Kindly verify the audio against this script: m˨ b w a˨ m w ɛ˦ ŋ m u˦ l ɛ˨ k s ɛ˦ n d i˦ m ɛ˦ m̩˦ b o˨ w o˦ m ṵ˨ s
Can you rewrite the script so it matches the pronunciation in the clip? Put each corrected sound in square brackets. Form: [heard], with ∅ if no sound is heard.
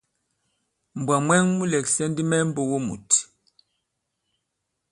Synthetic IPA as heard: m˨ b w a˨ m w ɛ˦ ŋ m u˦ l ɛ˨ k s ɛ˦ n d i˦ m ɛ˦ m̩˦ b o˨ w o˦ m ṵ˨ [t]